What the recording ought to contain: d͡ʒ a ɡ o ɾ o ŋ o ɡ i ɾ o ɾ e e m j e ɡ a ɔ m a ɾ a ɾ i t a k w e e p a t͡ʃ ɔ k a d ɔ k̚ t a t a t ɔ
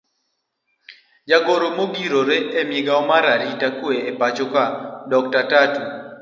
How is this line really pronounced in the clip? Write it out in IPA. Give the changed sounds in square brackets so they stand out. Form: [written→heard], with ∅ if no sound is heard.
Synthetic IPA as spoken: d͡ʒ a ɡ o ɾ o [ŋ→m] o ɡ i ɾ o ɾ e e m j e ɡ a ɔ m a ɾ a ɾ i t a k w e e p a t͡ʃ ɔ k a d ɔ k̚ t a t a t [ɔ→u]